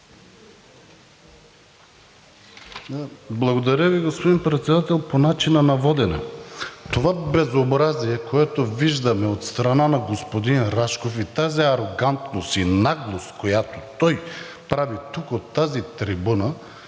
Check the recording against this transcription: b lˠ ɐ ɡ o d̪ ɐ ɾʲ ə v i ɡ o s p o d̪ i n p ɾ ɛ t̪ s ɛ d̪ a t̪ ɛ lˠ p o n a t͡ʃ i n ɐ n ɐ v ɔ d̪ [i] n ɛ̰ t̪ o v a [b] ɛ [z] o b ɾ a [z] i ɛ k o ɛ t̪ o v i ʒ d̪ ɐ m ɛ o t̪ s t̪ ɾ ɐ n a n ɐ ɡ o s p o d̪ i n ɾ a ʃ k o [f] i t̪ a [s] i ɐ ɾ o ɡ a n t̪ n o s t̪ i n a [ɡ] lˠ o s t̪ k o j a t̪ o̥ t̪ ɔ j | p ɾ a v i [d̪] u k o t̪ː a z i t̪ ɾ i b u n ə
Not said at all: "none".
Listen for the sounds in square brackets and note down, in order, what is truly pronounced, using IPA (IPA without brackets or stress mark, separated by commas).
ɛ, b, z, z, f, z, ɡ, t̪